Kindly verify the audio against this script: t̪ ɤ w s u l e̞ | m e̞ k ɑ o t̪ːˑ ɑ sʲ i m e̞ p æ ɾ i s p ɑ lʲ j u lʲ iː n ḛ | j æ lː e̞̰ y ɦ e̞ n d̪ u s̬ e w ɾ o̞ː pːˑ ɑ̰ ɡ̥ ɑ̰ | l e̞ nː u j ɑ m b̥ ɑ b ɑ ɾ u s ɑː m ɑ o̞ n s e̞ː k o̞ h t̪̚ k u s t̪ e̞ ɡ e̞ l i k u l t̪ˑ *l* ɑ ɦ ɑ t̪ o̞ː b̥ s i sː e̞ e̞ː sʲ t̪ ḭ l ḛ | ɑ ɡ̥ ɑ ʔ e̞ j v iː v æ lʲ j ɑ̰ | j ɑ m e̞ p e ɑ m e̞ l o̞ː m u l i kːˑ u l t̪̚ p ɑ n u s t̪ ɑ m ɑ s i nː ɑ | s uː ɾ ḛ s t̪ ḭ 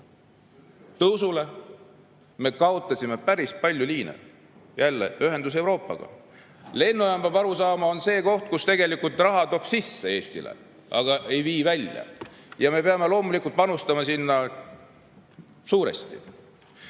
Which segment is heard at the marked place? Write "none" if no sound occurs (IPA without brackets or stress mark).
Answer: r